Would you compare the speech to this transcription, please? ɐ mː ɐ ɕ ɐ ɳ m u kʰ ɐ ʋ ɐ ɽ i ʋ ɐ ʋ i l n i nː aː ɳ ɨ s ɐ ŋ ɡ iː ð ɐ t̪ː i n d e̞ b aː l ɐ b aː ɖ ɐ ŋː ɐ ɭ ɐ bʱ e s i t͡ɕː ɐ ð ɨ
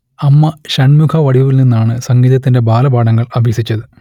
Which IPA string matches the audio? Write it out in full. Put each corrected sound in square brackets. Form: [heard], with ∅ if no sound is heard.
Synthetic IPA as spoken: ɐ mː ɐ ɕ ɐ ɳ m u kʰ ɐ ʋ ɐ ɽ i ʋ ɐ ʋ i l n i nː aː ɳ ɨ s ɐ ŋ ɡ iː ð ɐ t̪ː i n d e̞ b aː l ɐ b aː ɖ ɐ ŋː ɐ ɭ ɐ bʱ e s i t͡ɕː ɐ ð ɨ